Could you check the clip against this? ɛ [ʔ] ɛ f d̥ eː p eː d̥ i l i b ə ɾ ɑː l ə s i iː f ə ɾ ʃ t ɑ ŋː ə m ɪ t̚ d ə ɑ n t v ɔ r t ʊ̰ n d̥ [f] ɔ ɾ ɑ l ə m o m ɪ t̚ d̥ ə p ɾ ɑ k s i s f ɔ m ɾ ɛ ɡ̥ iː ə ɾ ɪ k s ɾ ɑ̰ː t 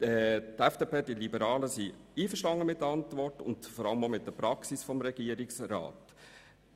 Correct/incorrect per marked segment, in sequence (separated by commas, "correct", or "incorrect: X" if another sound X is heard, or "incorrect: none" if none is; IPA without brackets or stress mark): incorrect: t, correct